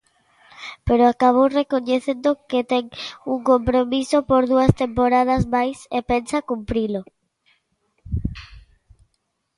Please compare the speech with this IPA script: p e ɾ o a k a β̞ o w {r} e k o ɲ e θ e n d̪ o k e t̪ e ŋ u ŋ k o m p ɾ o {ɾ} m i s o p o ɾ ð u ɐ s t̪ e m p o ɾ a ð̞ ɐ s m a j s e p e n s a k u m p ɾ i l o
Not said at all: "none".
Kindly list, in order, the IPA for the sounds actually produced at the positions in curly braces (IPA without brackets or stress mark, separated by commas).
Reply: r, none